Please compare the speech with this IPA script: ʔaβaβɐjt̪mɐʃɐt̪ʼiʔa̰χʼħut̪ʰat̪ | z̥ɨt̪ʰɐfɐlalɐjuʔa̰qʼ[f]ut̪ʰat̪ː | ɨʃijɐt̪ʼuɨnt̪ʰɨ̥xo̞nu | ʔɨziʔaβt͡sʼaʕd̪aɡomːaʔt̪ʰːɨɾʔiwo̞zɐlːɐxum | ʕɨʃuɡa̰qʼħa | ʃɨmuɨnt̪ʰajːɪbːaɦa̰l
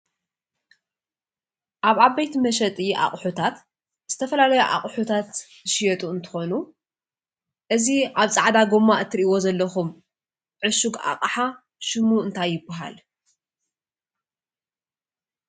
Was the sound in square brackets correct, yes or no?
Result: no